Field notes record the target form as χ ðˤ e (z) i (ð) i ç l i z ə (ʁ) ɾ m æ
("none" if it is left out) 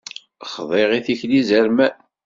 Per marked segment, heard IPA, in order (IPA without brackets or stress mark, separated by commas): ʁ, θ, none